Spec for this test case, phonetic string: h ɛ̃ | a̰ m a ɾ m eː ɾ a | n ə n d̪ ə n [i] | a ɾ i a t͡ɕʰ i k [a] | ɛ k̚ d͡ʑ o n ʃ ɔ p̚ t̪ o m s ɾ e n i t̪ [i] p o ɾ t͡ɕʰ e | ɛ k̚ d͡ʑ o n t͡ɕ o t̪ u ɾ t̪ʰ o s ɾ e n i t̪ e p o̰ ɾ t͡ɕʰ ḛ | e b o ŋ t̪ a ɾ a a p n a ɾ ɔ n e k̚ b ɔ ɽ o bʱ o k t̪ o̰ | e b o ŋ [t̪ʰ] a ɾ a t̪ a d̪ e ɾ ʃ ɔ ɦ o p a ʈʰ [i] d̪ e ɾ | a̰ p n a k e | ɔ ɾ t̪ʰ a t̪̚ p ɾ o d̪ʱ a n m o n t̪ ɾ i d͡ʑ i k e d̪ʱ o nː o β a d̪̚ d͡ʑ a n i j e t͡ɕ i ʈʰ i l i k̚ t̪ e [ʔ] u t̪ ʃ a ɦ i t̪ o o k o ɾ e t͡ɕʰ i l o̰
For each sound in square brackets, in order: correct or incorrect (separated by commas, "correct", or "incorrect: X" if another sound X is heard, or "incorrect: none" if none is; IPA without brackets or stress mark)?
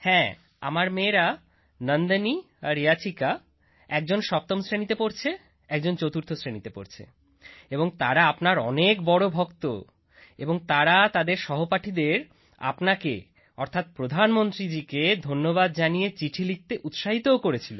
correct, correct, incorrect: e, incorrect: t̪, correct, correct